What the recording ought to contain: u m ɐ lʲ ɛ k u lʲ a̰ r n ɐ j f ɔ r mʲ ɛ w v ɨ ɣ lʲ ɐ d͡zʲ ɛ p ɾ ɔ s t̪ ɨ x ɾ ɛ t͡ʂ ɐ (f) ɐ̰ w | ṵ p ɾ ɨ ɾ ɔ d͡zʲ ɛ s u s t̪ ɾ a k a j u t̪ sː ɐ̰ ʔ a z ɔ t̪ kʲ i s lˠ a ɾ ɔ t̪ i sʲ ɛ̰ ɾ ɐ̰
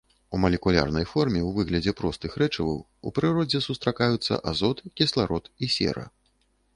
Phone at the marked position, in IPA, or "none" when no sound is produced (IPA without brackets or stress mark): v